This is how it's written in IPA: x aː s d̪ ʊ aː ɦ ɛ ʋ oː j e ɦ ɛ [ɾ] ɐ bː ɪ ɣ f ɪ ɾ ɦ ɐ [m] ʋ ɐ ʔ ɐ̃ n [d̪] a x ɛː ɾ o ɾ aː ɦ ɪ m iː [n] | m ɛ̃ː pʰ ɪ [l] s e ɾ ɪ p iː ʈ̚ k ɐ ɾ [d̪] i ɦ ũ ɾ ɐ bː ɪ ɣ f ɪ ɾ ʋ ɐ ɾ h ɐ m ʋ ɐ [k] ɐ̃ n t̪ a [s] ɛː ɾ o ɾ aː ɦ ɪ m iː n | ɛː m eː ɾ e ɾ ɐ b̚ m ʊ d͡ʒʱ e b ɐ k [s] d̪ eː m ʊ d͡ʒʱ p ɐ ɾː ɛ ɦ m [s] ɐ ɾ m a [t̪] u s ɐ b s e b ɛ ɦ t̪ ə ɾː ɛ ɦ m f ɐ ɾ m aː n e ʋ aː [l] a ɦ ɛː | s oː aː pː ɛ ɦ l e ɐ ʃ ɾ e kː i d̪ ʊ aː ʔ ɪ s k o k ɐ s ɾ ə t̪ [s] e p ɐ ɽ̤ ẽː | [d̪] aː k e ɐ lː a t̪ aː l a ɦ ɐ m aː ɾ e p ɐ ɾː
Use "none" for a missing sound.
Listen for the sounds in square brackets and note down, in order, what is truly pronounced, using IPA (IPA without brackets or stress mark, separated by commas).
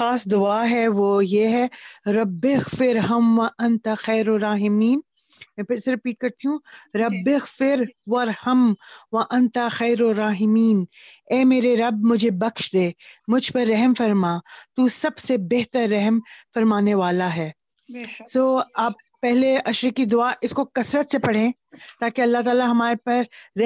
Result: ɾ, m, t̪, n, ɾ, t̪, ʔ, x, ʃ, f, t̪, l, s, t̪